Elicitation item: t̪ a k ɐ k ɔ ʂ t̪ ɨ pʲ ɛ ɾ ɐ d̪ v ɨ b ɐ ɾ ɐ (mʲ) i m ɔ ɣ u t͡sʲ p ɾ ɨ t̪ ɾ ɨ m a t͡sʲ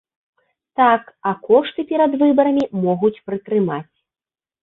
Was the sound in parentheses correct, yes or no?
yes